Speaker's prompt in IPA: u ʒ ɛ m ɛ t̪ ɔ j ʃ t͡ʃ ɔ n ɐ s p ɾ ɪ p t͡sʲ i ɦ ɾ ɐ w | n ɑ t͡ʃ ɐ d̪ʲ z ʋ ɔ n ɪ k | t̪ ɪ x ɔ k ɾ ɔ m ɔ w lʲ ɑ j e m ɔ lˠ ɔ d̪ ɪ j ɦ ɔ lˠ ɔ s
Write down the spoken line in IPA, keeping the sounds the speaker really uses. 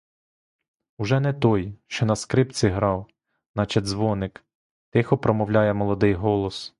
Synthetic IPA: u ʒ ɛ n ɛ t̪ ɔ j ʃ t͡ʃ ɔ n ɐ s k ɾ ɪ p t͡sʲ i ɦ ɾ ɑ w | n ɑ t͡ʃ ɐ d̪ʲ z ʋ ɔ n ɪ k | t̪ ɪ x ɔ p ɾ ɔ m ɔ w lʲ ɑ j ɛ m ɔ lˠ ɔ d̪ ɪ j ɦ ɔ lˠ ɔ s